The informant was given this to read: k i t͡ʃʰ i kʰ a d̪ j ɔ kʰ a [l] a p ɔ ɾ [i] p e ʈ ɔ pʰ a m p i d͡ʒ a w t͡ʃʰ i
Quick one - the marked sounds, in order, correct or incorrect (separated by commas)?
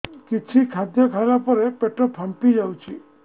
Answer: correct, incorrect